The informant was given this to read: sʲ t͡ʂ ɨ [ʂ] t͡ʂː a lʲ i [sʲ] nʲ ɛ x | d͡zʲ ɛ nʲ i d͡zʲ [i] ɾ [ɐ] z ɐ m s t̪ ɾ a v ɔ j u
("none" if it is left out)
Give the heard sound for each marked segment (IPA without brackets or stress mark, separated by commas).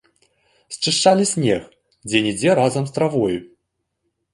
ʂ, sʲ, ɛ, a